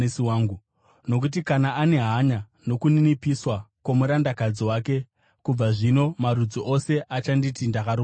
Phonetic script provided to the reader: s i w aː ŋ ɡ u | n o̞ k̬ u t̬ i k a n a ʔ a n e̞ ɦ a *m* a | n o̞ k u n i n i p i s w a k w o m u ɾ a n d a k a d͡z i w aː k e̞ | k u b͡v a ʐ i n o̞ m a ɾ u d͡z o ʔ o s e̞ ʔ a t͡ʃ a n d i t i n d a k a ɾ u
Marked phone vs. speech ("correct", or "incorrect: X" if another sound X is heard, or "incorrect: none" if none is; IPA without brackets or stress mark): incorrect: ɲ